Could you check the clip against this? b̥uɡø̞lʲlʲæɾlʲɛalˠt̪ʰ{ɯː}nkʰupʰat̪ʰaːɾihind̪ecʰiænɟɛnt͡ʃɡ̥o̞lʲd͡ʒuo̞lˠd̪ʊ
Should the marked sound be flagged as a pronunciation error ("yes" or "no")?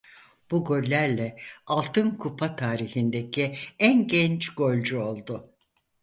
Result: yes